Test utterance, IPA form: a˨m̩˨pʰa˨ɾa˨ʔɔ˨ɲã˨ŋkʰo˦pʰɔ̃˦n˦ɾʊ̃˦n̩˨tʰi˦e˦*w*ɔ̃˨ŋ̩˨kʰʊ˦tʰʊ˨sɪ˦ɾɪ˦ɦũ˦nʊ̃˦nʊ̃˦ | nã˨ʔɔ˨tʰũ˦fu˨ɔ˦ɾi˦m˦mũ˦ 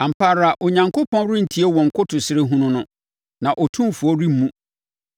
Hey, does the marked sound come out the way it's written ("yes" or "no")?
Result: yes